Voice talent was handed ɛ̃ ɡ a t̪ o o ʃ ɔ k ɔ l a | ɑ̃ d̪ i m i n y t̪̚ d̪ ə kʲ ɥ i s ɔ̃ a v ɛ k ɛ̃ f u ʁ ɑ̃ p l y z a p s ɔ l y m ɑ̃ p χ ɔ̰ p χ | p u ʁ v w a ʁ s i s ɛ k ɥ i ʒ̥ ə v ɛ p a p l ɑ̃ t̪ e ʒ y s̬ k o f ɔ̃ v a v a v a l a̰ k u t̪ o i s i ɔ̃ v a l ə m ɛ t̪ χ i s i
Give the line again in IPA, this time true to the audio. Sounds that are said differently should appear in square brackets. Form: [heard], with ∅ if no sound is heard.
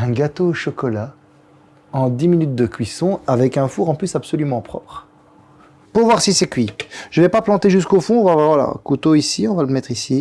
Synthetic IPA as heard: ɛ̃ ɡ a t̪ o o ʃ ɔ k ɔ l a | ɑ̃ d̪ i m i n y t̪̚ d̪ ə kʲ ɥ i s ɔ̃ a v ɛ k ɛ̃ f u ʁ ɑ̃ p l y [s] a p s ɔ l y m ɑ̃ p χ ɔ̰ p χ | p u ʁ v w a ʁ s i s ɛ k ɥ i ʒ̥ ə v ɛ p a p l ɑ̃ t̪ e ʒ y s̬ k o f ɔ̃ v a v a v a l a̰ k u t̪ o i s i ɔ̃ v a l ə m ɛ t̪ χ i s i